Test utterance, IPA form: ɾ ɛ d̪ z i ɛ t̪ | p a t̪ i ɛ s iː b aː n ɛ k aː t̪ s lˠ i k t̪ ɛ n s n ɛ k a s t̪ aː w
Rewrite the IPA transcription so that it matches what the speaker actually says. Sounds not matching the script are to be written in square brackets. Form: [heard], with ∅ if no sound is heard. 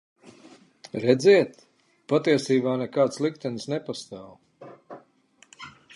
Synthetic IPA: ɾ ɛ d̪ z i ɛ t̪ | p a t̪ i ɛ s iː b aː n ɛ k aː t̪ s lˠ i k t̪ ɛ n s n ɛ [p] a s t̪ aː w